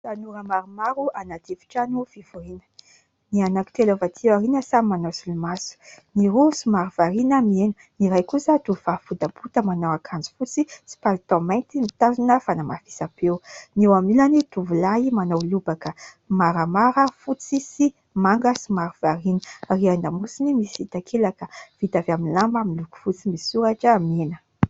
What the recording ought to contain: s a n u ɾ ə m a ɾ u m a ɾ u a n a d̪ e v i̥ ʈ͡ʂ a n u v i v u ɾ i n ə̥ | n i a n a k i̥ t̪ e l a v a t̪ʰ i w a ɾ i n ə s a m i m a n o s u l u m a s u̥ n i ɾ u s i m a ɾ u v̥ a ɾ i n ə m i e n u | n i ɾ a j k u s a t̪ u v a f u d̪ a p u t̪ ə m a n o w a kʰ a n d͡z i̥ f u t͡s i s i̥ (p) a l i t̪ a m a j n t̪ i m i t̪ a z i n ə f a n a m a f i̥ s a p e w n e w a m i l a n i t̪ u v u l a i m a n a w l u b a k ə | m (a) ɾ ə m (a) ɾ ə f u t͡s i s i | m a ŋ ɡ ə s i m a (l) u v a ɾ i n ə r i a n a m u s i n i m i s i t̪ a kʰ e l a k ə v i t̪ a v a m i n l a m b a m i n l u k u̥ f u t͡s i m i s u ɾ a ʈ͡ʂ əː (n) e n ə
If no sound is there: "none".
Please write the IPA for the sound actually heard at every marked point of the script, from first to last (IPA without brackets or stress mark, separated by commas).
p, a, a, ɾ, m